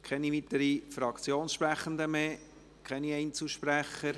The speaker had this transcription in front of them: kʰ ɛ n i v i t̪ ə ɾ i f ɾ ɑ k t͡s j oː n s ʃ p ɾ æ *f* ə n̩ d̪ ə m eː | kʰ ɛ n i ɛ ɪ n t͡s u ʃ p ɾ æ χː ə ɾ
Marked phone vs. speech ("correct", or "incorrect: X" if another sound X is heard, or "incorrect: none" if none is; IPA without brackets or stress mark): incorrect: χ